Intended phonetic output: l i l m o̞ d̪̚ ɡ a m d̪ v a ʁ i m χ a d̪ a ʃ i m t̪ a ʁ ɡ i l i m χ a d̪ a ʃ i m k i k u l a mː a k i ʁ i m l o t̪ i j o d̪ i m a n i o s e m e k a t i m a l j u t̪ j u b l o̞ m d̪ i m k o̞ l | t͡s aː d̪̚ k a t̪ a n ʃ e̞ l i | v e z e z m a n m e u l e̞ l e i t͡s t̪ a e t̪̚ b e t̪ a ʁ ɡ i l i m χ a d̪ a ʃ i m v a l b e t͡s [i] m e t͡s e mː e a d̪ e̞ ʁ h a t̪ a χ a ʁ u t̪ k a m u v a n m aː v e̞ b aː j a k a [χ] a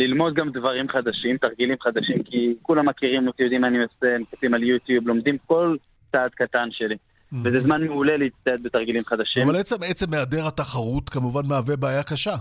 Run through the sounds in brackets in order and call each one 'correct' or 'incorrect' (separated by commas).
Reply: incorrect, incorrect